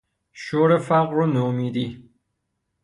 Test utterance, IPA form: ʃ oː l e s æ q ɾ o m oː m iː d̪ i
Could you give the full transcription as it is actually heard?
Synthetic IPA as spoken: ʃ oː ɾ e f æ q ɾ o n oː m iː d̪ i